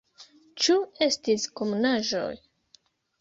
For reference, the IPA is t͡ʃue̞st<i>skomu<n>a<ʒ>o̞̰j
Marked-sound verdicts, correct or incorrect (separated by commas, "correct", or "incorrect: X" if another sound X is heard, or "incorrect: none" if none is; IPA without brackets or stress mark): correct, correct, correct